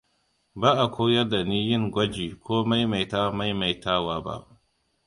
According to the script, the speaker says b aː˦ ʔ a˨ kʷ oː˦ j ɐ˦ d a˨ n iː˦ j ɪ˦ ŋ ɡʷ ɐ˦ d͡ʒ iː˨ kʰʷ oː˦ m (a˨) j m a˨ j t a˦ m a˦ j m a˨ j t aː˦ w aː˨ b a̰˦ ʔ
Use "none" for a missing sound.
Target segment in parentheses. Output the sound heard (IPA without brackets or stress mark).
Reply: a˦